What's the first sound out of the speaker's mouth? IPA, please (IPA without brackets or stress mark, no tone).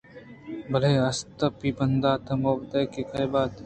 b